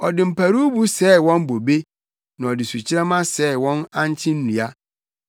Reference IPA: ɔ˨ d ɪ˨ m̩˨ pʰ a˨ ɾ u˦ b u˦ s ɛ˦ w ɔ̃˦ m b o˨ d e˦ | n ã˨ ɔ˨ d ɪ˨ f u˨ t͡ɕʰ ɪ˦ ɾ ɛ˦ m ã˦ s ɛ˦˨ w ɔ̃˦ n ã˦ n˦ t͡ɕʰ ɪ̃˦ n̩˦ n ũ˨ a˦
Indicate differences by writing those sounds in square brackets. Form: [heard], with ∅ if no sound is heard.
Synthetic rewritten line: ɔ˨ d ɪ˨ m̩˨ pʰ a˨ ɾ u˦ b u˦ s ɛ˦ w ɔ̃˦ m b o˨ [b] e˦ | n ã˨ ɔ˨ d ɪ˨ [s] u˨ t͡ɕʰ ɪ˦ ɾ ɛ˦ m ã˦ s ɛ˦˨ w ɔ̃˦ n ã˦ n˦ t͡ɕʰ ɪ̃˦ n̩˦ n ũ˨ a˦